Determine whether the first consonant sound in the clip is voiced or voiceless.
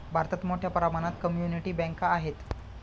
voiced